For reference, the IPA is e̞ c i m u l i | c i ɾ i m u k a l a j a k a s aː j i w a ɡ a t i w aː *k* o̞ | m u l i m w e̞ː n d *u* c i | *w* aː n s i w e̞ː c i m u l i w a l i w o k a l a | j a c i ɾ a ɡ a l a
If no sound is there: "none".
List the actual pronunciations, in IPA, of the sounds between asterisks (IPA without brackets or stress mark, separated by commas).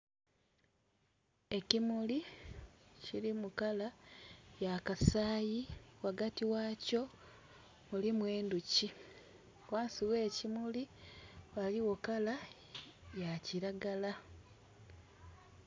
c, u, w